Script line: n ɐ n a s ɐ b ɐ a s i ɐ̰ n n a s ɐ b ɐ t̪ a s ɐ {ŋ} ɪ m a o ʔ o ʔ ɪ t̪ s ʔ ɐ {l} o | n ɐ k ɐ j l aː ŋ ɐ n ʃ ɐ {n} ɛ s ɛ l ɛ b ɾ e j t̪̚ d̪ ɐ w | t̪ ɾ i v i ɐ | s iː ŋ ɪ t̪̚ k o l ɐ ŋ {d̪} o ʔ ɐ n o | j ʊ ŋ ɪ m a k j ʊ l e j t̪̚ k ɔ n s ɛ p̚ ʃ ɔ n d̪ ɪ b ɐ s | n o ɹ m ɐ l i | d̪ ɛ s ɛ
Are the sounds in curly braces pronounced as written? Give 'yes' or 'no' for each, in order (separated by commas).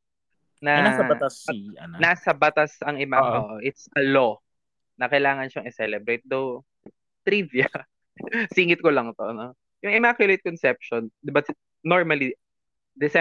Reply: yes, yes, no, no